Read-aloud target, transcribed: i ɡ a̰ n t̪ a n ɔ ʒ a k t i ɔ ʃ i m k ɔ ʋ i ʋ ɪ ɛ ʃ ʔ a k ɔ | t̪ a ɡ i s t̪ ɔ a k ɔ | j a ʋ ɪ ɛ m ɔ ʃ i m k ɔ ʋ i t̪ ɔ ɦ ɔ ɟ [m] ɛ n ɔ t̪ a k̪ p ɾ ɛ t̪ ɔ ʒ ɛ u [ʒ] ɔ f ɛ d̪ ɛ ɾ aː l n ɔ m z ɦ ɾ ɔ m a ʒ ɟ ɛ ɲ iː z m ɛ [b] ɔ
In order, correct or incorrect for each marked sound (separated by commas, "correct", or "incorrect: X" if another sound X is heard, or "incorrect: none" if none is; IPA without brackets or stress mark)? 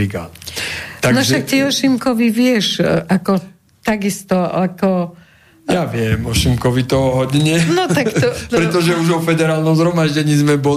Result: incorrect: ɲ, correct, correct